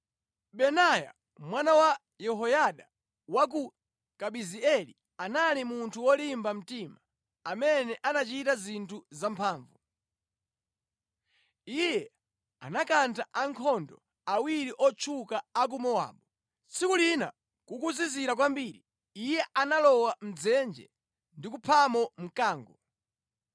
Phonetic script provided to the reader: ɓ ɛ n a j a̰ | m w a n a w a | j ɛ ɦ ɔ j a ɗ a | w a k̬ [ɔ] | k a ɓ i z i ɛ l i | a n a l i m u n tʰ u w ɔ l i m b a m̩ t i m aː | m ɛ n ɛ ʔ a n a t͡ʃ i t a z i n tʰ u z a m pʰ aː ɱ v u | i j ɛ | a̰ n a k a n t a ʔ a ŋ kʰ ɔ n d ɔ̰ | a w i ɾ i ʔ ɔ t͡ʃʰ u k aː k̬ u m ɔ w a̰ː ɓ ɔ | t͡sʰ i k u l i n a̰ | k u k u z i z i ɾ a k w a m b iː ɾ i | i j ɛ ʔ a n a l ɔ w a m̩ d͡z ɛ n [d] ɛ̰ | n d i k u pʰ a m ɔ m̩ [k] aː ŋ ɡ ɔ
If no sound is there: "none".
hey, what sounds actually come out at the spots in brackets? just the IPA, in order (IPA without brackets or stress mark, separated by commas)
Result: u, d͡ʒ, k